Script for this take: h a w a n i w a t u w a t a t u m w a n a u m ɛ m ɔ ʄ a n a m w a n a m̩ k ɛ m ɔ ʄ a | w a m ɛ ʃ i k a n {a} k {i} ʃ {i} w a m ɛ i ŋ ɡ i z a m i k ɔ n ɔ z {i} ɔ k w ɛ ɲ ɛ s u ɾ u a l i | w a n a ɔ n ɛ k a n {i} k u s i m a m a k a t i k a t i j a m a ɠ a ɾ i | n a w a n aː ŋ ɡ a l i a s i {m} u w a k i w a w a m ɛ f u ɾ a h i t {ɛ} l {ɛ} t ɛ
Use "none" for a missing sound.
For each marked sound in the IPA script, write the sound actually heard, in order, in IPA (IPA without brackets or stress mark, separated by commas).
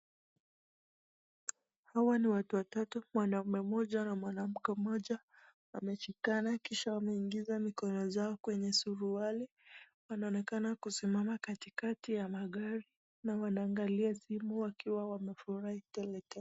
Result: a, i, a, a, a, m, ɛ, ɛ